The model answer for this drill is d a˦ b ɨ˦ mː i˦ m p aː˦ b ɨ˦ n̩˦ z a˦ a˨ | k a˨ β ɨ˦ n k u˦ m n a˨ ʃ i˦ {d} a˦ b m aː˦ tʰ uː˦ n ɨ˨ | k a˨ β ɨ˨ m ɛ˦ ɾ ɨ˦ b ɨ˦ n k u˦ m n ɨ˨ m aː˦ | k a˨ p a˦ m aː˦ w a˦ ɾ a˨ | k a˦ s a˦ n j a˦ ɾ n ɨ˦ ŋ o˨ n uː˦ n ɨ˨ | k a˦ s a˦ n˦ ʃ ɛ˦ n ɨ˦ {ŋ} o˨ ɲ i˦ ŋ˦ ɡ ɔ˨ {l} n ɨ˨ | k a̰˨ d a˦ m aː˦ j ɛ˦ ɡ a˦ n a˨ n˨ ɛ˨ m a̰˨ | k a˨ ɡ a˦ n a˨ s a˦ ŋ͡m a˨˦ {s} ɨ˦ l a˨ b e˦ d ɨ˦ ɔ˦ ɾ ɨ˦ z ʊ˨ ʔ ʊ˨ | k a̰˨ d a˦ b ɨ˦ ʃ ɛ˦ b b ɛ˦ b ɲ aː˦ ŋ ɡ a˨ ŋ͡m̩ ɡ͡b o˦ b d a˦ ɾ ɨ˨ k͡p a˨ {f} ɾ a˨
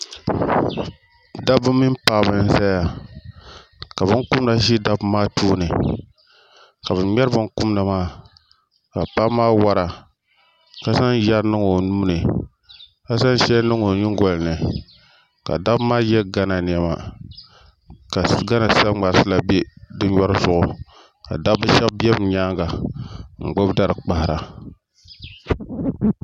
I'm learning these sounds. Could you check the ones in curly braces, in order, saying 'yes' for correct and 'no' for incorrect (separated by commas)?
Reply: yes, yes, yes, yes, no